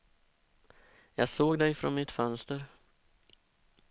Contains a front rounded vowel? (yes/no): yes